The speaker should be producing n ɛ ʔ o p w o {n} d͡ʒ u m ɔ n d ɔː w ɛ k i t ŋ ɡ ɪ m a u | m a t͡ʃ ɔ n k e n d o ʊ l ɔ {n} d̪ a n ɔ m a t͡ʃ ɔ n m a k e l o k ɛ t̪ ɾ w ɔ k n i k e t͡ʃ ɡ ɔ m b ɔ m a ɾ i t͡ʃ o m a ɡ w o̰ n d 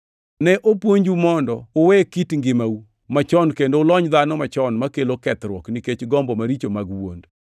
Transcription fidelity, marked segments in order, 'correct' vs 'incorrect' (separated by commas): incorrect, incorrect